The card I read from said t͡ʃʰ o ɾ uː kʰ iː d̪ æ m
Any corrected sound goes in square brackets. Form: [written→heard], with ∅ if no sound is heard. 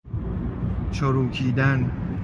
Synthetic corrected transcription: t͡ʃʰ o ɾ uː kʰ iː d̪ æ [m→n]